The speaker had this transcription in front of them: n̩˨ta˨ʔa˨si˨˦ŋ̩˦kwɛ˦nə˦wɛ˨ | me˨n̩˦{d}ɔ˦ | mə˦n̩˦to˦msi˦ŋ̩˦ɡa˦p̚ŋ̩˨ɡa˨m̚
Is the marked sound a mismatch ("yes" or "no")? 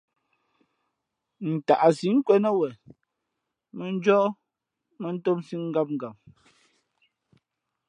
yes